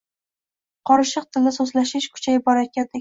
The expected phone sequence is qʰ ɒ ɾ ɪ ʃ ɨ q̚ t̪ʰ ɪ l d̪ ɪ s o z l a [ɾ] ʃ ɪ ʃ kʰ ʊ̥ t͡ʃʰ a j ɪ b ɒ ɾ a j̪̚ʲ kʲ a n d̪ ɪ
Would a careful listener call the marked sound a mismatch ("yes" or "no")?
yes